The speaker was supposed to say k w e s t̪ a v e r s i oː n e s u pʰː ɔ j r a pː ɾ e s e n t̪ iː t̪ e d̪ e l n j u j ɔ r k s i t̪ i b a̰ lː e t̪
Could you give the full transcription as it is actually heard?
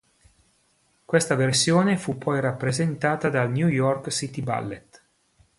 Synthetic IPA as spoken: k w e s t̪ a v e r s j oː n e f u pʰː ɔ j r a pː ɾ e z e n t̪ aː t̪ a d̪ a l n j u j ɔ r k s i t̪ i b a̰ lː e t̪